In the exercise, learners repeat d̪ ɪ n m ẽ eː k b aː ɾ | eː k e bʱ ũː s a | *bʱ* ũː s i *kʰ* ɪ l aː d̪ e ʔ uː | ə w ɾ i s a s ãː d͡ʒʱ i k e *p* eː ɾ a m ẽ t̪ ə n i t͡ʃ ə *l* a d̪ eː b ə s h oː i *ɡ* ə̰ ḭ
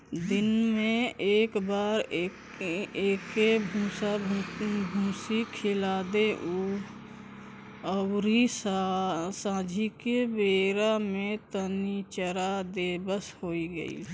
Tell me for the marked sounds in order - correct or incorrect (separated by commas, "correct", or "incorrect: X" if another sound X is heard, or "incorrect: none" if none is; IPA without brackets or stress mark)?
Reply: correct, correct, incorrect: b, incorrect: ɾ, correct